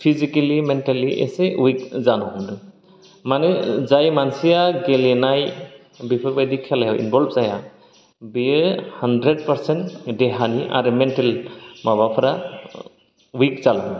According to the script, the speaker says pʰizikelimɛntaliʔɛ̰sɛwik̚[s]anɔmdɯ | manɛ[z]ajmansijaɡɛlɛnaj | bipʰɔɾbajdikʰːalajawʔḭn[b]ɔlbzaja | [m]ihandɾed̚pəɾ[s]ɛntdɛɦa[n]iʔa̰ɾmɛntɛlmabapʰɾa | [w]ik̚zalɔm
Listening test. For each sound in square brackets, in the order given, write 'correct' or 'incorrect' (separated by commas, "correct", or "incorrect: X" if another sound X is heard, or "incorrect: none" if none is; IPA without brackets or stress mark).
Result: incorrect: z, correct, correct, incorrect: b, correct, correct, correct